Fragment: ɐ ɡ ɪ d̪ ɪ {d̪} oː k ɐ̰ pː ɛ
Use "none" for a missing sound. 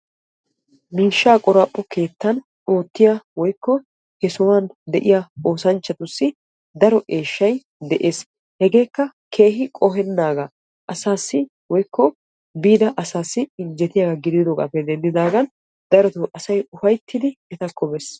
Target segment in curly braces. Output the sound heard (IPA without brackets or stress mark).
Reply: d̪